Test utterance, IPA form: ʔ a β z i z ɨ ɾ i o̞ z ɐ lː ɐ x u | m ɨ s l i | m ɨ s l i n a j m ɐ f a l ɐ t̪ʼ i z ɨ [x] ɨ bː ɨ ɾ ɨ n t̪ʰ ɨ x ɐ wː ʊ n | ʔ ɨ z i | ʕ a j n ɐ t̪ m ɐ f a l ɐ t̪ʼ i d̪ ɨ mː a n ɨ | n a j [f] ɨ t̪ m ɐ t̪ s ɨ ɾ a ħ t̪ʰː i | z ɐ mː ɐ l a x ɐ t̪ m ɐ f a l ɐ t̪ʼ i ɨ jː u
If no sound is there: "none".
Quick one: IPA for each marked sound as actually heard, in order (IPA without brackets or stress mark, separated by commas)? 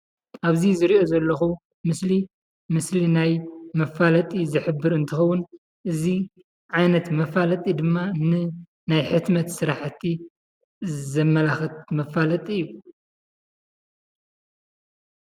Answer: ħ, ħ